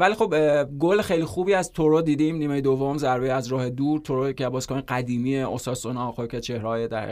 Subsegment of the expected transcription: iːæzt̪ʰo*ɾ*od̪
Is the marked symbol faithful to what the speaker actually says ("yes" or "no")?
yes